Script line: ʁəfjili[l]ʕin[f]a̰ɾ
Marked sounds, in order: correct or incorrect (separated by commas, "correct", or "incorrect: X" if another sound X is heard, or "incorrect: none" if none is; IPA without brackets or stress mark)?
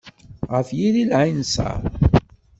correct, incorrect: s